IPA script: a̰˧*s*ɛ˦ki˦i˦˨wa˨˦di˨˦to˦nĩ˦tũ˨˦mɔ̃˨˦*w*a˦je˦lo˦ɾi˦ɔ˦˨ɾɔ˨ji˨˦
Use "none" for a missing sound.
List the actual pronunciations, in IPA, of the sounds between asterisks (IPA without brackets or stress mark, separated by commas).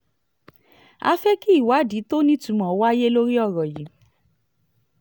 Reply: f, w